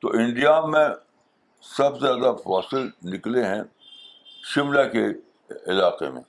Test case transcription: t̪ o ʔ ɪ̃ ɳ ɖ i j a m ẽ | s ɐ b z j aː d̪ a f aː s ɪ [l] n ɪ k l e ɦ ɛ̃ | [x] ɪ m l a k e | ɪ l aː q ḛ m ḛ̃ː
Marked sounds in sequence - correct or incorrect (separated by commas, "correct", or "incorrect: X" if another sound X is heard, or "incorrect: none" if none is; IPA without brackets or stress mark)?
correct, incorrect: ʃ